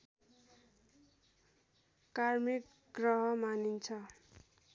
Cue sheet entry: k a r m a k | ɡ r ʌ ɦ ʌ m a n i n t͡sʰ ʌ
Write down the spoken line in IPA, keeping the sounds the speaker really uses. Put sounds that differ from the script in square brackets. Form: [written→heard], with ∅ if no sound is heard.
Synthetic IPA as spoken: k a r m [a→i] k | ɡ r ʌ ɦ ʌ m a n i n t͡sʰ ʌ